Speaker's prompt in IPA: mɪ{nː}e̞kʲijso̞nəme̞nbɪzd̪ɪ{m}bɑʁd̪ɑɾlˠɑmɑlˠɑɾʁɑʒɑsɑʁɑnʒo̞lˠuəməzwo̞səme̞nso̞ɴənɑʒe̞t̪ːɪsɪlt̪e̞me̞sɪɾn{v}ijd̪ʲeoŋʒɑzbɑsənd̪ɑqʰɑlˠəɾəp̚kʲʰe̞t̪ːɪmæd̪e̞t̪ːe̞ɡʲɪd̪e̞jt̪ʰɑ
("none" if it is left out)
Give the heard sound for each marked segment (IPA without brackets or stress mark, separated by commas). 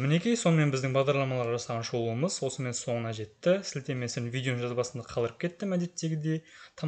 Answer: n, ŋ, v